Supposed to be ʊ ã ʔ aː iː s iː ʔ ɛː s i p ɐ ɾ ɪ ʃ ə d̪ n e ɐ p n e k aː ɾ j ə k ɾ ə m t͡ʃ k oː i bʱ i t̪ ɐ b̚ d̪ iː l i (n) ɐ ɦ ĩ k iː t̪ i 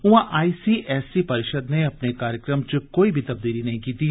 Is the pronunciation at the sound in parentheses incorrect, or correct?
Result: correct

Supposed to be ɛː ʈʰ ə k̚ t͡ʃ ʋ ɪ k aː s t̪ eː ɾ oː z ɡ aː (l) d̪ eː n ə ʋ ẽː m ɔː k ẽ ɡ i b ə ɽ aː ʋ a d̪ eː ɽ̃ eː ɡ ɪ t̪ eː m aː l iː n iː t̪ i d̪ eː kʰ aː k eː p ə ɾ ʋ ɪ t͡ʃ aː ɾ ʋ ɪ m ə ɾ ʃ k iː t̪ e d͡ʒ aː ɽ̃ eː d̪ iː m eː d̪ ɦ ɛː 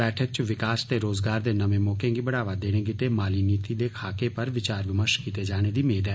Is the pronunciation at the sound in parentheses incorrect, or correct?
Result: incorrect: ɾ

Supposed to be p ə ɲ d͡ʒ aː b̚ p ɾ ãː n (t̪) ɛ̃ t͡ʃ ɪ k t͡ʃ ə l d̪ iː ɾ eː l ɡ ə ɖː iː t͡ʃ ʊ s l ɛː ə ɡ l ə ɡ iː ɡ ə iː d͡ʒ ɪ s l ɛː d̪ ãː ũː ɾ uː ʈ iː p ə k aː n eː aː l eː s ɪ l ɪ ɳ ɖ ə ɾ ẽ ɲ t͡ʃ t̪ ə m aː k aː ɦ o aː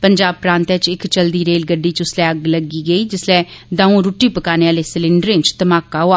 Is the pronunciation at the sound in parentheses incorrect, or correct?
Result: correct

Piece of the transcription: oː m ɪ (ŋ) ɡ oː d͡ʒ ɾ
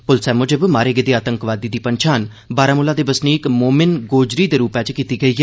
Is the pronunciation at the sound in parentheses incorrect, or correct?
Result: incorrect: n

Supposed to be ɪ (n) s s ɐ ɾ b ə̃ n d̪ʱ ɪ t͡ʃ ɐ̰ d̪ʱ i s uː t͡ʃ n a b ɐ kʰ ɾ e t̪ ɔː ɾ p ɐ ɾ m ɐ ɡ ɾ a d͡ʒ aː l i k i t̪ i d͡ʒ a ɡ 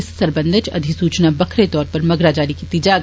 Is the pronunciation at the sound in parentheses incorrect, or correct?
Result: incorrect: none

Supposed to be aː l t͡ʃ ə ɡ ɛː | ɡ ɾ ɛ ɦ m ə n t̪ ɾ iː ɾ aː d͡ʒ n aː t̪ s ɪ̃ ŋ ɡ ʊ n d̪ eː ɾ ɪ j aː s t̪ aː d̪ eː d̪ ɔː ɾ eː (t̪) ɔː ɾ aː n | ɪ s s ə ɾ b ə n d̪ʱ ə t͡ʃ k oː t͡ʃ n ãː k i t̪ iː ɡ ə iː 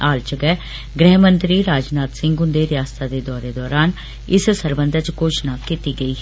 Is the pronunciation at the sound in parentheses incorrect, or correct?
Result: incorrect: d̪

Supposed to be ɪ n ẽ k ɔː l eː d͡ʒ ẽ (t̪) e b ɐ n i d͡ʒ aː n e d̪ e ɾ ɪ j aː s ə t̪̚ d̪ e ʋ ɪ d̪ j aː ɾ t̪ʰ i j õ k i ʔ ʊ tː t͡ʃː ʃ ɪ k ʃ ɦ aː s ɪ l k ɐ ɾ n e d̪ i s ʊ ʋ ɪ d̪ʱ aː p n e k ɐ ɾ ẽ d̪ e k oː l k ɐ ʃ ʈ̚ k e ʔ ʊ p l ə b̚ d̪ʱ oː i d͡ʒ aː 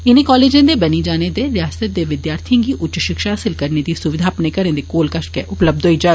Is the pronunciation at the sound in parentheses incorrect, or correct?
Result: incorrect: d̪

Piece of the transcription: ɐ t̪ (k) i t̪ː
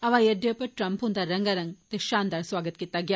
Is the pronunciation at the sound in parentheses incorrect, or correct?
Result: correct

